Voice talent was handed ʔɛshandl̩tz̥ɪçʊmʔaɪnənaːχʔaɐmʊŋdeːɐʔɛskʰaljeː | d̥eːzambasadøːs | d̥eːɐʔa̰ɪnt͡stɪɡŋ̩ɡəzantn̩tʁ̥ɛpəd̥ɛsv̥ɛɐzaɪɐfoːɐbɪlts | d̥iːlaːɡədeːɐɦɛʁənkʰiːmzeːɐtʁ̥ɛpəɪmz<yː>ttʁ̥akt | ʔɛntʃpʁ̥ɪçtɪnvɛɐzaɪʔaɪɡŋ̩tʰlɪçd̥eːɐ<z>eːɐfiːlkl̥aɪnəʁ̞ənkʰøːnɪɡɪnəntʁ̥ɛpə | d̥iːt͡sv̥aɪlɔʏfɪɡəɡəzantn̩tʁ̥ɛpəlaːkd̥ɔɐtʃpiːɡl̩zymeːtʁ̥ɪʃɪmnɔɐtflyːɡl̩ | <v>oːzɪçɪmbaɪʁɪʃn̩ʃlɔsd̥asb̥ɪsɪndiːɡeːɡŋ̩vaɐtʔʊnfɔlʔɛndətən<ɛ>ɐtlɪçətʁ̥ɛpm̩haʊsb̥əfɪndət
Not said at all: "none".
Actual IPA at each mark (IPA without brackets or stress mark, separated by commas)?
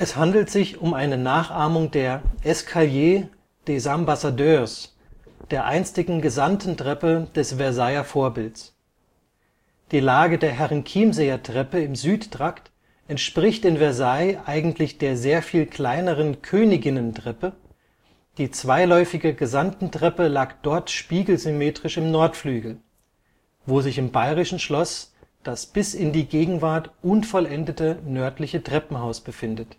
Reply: yː, z, v, œ